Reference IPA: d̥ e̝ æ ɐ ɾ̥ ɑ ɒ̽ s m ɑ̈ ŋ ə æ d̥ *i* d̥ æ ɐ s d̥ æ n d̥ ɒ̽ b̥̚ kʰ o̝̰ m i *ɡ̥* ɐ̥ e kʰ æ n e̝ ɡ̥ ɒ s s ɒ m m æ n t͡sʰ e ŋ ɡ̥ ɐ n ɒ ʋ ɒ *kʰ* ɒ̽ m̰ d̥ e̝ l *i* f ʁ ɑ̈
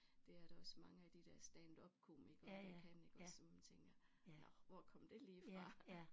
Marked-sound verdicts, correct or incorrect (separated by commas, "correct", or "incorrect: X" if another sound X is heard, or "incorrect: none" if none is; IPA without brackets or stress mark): correct, correct, correct, incorrect: iː